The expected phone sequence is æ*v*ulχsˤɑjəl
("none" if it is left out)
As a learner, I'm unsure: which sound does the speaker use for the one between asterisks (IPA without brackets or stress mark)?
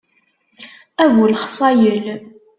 v